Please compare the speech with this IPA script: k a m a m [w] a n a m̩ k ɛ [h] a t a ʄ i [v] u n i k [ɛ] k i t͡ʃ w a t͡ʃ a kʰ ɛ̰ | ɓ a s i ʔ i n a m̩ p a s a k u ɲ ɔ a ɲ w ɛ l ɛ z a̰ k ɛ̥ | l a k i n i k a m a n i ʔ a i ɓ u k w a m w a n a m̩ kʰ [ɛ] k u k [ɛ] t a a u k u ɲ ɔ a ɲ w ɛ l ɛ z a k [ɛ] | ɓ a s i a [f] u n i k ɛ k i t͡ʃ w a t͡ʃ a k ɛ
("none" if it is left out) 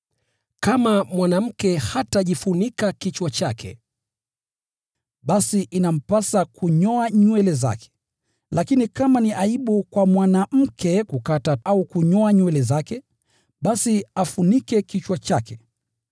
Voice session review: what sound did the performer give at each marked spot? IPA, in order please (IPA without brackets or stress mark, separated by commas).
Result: w, h, f, a, ɛ, a, ɛ, f